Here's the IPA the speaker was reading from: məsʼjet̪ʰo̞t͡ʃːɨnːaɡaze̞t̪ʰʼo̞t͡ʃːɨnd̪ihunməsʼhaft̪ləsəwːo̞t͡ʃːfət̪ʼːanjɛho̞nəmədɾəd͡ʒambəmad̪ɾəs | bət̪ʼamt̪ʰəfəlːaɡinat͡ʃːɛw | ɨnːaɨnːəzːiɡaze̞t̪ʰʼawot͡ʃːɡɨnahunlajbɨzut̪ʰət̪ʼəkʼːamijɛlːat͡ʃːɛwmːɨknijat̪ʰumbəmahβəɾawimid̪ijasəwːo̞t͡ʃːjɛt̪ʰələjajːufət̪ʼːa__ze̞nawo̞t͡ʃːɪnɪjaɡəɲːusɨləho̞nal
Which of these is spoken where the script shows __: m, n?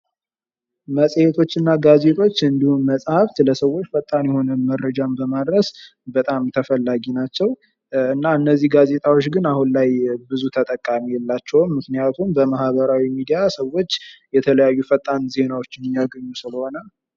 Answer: n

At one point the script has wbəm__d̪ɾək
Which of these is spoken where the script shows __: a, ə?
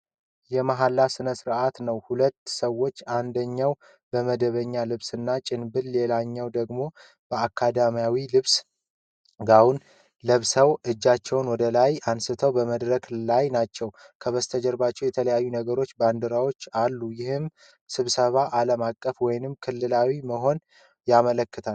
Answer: ə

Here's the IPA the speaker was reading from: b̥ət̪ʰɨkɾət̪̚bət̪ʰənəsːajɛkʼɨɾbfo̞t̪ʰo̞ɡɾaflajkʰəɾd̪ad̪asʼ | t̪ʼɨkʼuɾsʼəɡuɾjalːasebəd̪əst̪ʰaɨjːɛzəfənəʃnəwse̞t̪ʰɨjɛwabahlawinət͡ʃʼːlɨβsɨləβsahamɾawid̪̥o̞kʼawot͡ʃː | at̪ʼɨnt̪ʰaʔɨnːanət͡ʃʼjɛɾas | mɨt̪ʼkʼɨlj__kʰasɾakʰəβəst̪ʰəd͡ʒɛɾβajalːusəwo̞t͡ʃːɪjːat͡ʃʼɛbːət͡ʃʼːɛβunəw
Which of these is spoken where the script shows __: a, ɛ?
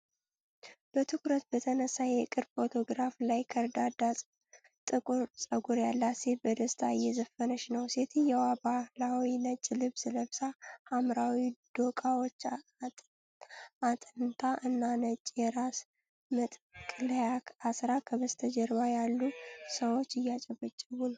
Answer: a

